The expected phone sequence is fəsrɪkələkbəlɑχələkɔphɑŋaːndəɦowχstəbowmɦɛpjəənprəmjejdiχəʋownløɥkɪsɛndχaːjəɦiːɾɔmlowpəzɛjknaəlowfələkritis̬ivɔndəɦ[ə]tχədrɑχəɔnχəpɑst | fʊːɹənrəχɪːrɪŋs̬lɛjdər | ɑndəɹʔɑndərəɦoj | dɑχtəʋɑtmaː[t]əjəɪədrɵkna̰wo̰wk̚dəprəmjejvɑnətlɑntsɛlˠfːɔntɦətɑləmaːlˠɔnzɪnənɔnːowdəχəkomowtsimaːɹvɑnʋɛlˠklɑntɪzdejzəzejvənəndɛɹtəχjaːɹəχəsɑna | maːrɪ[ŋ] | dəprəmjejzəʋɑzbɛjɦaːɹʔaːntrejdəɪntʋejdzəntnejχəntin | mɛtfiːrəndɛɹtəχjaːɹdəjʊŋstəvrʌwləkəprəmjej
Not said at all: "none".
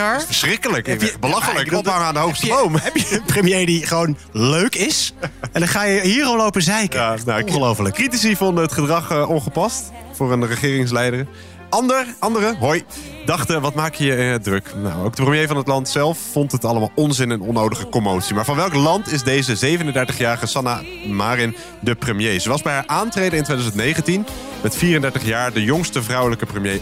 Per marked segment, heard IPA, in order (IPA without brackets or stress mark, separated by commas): ə, k, n